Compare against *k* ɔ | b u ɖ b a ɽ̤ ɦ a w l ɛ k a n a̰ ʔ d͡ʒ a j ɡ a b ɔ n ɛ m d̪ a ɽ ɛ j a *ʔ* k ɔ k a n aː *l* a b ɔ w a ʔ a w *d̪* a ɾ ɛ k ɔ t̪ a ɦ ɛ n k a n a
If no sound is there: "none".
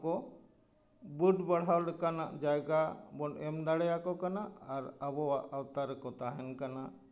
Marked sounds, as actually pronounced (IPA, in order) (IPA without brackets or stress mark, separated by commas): k, none, ɾ, t̪